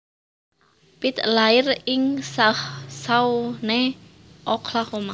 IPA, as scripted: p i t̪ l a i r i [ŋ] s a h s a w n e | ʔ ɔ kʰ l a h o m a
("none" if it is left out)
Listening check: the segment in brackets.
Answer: ŋ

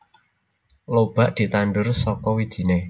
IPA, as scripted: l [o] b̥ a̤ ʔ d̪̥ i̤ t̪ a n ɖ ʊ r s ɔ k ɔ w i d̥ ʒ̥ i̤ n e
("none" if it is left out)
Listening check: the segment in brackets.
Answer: o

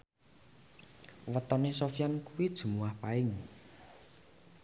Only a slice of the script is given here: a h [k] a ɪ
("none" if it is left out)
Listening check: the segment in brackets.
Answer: p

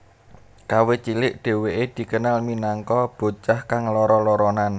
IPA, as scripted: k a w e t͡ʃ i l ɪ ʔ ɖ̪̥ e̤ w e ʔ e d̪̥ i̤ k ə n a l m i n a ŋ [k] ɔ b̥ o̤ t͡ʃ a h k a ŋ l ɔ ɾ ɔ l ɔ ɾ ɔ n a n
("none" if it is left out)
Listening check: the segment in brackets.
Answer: k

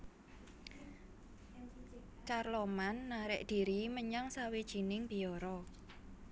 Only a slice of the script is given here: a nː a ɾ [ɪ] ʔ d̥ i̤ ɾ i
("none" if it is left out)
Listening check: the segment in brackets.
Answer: ɪ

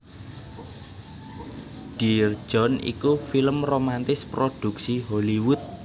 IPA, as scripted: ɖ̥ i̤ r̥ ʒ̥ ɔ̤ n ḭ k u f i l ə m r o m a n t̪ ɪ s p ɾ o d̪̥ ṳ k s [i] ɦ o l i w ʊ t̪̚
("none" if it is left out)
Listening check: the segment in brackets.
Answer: i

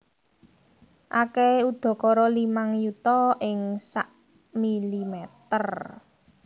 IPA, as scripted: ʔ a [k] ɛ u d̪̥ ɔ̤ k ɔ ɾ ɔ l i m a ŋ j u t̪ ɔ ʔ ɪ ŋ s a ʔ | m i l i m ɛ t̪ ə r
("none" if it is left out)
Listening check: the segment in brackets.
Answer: k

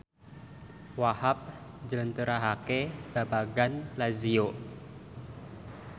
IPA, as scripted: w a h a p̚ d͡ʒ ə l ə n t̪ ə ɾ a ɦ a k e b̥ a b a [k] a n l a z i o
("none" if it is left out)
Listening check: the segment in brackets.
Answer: ɡ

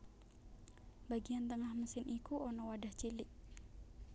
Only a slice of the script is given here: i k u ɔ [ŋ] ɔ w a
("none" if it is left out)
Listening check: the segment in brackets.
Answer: n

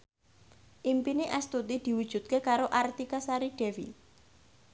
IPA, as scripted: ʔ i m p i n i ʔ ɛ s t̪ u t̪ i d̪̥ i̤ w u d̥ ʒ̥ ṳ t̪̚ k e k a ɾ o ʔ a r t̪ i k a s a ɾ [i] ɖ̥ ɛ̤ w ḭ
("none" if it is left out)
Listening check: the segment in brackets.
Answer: i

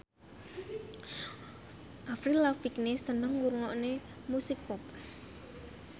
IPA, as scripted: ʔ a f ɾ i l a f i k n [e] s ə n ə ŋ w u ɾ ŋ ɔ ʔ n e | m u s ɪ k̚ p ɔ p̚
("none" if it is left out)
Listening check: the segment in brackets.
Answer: e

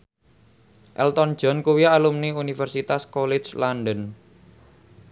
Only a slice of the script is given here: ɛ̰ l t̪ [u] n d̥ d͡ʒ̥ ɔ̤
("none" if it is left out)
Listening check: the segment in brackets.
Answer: ɔ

